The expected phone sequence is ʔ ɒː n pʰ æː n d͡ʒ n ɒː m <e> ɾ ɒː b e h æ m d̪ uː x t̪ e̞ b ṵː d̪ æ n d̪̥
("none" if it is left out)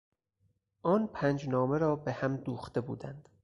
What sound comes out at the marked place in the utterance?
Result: e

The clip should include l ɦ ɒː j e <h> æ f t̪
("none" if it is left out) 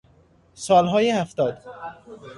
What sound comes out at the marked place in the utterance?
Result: h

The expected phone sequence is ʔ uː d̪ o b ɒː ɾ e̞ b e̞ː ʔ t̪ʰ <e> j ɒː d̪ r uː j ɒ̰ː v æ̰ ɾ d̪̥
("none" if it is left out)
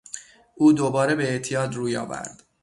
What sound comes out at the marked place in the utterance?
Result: i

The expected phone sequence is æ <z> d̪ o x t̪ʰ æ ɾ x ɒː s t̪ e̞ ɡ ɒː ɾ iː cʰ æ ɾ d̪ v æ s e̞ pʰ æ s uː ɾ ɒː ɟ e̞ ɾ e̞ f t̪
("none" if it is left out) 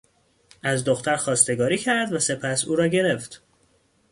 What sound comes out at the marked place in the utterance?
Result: z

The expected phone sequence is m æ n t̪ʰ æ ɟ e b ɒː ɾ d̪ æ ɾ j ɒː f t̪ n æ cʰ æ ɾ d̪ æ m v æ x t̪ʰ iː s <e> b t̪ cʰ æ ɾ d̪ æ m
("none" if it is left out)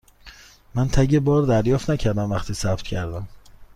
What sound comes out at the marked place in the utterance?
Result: æ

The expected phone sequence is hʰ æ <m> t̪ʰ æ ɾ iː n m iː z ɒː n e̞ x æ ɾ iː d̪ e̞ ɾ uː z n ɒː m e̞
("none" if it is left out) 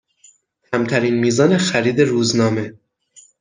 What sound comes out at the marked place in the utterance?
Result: m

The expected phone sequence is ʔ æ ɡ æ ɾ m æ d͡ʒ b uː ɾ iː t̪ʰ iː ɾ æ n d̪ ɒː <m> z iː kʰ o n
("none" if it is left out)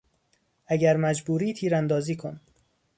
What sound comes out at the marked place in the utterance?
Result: none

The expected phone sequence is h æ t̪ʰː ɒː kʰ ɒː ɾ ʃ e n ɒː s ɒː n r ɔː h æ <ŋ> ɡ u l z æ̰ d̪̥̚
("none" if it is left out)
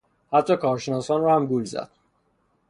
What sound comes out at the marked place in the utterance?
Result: m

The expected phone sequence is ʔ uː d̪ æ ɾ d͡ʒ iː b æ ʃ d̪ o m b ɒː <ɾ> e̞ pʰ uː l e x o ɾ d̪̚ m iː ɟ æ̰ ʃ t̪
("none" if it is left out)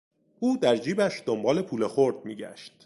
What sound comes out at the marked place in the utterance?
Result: l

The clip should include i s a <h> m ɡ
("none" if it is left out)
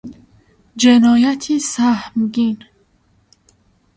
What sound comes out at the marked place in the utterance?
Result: h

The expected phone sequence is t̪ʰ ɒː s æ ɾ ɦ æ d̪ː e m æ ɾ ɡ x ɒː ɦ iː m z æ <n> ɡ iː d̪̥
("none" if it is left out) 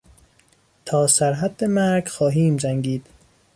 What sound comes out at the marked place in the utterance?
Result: ŋ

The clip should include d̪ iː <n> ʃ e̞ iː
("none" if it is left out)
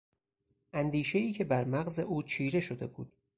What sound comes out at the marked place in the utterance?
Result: none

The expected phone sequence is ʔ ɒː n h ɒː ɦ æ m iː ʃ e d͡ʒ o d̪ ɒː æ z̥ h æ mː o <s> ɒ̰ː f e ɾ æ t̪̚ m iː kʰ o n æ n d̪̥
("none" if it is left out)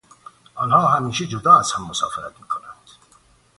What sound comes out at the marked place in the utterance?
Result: s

